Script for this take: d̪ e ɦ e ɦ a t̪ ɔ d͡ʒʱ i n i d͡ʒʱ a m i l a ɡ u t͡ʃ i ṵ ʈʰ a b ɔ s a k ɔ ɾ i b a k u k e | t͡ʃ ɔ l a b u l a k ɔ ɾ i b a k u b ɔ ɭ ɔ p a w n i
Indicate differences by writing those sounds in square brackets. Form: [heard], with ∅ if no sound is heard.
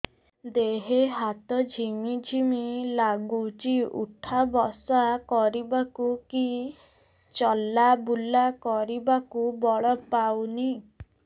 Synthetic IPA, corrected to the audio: d̪ e ɦ e ɦ a t̪ ɔ d͡ʒʱ i [m] i d͡ʒʱ [i] m i l a ɡ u t͡ʃ i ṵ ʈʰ a b ɔ s a k ɔ ɾ i b a k u k [i] | t͡ʃ ɔ l a b u l a k ɔ ɾ i b a k u b ɔ ɭ ɔ p a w n i